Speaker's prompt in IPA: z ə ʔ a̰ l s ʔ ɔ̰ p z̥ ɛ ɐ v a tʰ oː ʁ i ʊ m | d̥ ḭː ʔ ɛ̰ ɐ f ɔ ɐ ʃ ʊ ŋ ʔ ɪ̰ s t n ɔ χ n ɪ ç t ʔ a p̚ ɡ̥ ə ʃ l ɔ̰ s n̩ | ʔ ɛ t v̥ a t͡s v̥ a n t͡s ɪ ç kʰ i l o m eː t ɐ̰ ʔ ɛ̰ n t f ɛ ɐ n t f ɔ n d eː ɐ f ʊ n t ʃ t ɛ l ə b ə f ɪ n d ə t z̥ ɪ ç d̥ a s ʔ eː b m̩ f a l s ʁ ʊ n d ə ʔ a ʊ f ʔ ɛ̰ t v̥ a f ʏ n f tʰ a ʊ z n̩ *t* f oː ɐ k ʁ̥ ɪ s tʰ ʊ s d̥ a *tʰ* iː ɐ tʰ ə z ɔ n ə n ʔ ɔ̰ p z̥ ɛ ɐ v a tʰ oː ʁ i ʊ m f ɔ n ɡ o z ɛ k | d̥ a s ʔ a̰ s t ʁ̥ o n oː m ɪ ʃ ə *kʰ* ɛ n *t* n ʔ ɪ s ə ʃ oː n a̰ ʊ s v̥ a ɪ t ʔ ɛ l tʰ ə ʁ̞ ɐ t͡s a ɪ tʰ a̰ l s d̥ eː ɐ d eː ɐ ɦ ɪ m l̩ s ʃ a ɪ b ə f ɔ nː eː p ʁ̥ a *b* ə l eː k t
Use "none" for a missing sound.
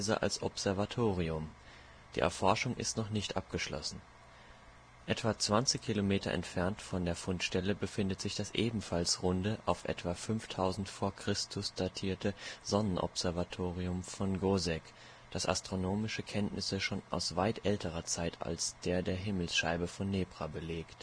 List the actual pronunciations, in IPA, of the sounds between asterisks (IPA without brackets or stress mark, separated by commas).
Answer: t, tʰ, kʰ, t, b